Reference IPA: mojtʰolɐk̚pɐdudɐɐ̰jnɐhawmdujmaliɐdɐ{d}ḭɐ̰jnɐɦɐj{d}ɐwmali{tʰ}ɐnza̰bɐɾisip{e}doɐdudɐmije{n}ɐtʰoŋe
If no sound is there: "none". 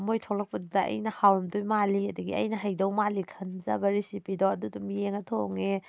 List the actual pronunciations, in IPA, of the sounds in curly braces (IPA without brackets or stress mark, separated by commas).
ɡ, d, kʰ, i, ŋ